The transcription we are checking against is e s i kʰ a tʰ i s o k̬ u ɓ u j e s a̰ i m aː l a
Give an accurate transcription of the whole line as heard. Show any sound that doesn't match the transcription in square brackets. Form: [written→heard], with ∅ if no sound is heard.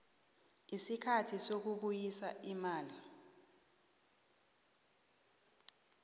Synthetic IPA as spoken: [e→i] s i kʰ a tʰ i s o k̬ u ɓ u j [e→i] s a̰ i m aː l [a→i]